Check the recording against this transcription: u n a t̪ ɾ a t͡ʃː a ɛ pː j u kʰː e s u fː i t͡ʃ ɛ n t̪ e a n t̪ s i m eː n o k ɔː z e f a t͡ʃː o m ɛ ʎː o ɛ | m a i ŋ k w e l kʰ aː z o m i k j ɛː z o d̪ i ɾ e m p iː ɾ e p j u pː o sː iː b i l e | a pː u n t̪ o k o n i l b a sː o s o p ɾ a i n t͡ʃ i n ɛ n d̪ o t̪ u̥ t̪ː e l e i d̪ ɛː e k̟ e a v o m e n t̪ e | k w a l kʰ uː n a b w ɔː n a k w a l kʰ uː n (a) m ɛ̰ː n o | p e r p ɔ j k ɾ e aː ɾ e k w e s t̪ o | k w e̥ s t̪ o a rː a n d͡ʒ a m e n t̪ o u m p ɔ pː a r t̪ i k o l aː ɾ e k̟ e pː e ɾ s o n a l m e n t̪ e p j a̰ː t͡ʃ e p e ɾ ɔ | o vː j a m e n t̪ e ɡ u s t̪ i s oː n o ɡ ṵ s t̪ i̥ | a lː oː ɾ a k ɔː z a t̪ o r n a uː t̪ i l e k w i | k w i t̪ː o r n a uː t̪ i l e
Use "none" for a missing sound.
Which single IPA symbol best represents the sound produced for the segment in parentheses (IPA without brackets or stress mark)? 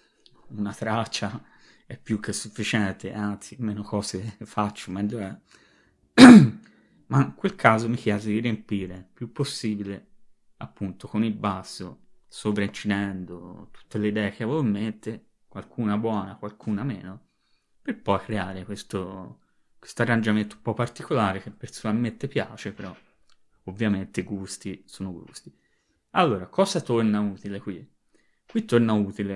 a